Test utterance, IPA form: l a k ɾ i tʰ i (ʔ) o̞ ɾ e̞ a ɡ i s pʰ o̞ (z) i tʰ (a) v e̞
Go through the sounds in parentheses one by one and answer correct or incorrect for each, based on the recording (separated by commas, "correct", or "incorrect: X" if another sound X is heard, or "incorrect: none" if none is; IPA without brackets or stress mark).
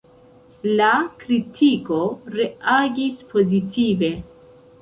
incorrect: k, correct, incorrect: i